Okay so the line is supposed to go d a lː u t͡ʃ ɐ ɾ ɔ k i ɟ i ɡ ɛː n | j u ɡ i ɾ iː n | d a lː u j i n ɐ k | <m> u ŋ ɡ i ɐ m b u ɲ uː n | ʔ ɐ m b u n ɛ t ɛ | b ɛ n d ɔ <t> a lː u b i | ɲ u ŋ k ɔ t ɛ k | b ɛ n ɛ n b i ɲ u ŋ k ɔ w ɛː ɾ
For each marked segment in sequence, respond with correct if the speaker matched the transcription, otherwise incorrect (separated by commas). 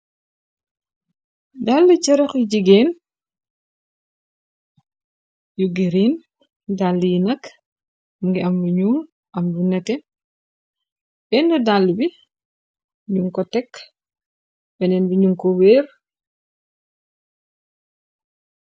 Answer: correct, incorrect